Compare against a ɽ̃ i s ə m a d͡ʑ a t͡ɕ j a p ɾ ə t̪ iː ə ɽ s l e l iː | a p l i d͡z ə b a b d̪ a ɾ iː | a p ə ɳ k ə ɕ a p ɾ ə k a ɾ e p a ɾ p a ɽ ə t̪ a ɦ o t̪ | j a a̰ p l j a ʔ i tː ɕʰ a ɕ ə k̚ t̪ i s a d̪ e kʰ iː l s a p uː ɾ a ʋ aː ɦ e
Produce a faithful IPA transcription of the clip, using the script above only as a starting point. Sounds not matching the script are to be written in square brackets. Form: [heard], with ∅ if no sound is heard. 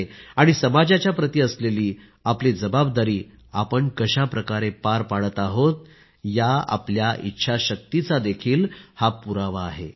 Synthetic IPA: a ɽ̃ i s ə m a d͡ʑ a t͡ɕ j a p ɾ ə t̪ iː ə [∅] s l e l iː | a p l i d͡z ə b a b d̪ a ɾ iː | a p ə ɳ k ə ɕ a p ɾ ə k a ɾ e p a ɾ p a ɽ ə t̪ a ɦ o t̪ | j a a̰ p l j a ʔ i tː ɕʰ a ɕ ə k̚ t̪ i [t͡s] a d̪ e kʰ iː l [h] a p [u] ɾ a ʋ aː ɦ e